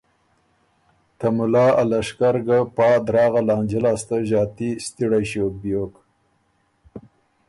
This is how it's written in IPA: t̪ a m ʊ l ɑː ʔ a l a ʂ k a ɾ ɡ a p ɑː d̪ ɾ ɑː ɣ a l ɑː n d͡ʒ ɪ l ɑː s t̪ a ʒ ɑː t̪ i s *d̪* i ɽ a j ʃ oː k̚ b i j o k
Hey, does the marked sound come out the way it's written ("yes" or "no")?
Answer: no